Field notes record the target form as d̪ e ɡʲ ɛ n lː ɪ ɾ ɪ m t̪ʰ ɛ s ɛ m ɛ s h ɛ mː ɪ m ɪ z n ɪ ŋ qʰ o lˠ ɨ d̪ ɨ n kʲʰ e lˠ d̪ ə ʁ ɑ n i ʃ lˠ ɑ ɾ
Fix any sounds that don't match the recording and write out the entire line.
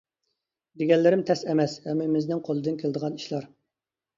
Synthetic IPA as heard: d̪ e ɡʲ ɛ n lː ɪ ɾ ɪ m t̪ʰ ɛ s ɛ m ɛ s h ɛ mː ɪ m ɪ z n ɪ ŋ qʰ o lˠ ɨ d̪ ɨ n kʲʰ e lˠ d̪ ə ʁ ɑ n i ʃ lˠ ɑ ɾ